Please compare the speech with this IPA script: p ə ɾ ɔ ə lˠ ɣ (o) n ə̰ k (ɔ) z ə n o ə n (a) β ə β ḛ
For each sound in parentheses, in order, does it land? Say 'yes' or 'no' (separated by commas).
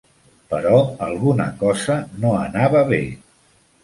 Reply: no, yes, yes